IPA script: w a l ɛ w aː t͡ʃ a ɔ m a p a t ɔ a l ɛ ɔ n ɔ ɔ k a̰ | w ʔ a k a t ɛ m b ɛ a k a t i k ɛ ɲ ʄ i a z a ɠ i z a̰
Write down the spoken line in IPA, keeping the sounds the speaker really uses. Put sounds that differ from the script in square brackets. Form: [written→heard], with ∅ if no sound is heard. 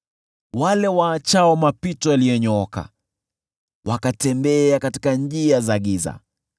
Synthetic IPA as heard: w a l ɛ w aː t͡ʃ a ɔ m a p [a→i] t ɔ a l [ɛ→i] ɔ [n→ɲ] ɔ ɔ k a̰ | w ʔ a k a t ɛ m b ɛ a k a t i k [ɛ→a] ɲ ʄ i a z a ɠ i z a̰